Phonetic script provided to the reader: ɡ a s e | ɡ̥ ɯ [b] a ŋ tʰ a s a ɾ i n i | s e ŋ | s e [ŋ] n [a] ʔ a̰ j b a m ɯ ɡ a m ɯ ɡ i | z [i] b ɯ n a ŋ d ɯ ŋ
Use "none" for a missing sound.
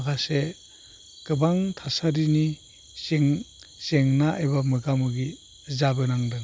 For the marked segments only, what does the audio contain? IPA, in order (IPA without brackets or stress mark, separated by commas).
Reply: b, ŋ, a, a